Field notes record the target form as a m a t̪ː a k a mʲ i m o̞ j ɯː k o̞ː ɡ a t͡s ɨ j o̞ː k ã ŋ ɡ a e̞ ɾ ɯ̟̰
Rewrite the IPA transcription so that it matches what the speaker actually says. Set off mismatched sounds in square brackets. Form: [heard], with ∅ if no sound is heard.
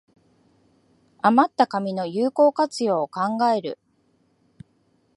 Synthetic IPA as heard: a m a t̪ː a k a mʲ i [n] o̞ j ɯː k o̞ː [k] a t͡s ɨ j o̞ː k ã ŋ ɡ a e̞ ɾ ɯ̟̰